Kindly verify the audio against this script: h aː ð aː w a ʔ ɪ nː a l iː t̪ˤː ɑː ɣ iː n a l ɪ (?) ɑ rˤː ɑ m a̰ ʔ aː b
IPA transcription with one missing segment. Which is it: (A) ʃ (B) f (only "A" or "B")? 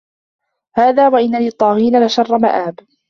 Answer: A